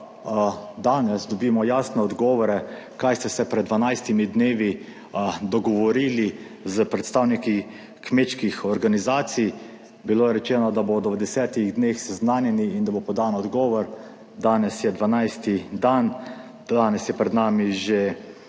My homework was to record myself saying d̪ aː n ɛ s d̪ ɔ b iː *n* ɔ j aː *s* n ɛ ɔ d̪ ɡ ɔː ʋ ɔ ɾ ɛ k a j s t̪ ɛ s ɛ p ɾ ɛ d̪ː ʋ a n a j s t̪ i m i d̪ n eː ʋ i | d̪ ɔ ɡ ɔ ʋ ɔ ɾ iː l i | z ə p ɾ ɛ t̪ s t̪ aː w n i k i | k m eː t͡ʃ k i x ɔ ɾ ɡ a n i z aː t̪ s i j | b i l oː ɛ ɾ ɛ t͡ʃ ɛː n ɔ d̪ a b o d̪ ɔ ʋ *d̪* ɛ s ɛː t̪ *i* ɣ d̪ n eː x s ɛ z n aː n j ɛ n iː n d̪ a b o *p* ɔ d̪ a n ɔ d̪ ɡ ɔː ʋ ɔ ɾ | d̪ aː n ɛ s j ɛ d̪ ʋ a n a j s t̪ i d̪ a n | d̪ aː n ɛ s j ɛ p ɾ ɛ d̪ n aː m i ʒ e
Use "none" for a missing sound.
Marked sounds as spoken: m, s, d̪, i, p

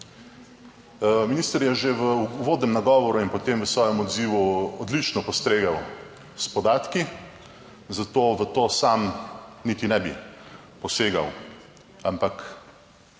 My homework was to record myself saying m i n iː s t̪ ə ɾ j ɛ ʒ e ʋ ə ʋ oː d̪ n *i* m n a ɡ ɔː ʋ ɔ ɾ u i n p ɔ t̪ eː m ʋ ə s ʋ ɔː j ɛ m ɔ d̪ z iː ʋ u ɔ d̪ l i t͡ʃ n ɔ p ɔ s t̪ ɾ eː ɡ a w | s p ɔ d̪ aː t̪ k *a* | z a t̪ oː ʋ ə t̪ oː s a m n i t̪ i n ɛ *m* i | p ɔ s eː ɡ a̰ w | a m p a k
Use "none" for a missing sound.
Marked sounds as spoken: ɛ, i, b

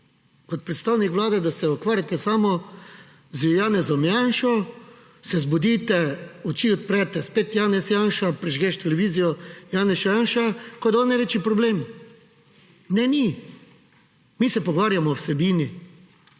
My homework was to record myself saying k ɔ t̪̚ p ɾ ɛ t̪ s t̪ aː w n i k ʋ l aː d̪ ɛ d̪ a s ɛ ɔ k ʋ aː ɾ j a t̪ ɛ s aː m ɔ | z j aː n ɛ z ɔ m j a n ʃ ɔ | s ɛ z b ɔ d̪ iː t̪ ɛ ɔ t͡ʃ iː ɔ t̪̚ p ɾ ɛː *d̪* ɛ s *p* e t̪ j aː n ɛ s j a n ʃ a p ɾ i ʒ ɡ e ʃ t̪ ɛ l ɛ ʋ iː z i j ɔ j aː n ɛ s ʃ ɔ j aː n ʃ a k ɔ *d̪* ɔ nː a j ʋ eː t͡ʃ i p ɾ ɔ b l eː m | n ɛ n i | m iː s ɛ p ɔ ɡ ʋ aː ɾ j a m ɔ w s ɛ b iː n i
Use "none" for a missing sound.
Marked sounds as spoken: t̪, p, d̪

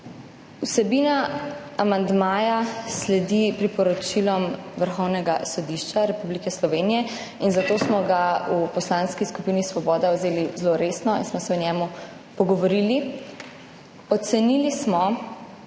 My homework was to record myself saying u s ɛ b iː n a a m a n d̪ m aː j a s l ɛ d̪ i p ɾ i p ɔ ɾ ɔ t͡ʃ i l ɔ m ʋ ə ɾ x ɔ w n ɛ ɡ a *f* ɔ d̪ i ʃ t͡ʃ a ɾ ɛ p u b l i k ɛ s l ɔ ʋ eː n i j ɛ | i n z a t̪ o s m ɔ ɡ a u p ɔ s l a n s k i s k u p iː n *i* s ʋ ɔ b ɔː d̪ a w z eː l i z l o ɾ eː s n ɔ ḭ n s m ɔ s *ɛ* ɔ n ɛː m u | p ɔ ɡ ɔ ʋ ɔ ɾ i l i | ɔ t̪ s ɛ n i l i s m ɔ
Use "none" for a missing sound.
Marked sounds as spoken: s, i, ɛ

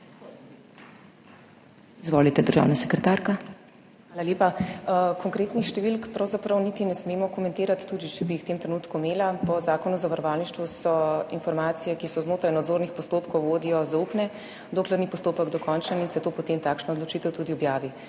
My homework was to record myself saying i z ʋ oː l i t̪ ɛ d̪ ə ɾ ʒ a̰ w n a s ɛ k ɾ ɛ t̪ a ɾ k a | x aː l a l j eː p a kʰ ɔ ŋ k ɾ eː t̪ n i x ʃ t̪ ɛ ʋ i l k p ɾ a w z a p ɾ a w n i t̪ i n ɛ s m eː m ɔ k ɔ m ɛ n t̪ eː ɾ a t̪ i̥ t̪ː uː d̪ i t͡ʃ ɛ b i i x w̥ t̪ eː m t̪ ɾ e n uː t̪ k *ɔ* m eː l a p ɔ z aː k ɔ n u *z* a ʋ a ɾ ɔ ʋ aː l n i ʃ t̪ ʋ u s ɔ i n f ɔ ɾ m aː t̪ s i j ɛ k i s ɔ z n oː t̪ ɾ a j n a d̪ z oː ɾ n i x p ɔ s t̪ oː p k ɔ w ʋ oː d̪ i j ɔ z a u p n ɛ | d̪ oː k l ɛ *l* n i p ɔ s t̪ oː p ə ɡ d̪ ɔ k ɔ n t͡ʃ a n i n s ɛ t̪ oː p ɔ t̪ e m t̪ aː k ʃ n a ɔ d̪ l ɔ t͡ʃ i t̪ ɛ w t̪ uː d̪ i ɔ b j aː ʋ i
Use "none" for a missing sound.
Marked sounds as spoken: u, z, ɾ

